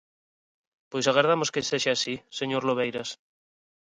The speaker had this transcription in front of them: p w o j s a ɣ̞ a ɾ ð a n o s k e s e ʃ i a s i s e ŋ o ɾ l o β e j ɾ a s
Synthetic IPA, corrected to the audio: p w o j s a ɣ̞ a ɾ ð a m o s k e s e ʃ a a s i s e ɲ o ɾ l o β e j ɾ a s